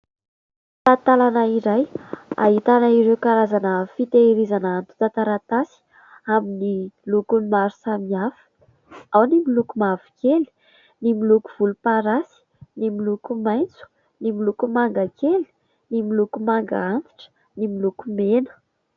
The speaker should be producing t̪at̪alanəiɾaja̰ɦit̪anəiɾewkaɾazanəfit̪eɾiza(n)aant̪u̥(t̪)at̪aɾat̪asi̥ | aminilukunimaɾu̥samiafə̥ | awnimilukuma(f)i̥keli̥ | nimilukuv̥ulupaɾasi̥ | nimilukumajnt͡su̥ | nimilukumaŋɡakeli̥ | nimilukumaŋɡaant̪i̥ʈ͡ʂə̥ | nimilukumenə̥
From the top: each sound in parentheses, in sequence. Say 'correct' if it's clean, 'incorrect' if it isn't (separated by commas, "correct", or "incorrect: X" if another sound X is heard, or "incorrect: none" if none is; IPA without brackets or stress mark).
correct, correct, incorrect: v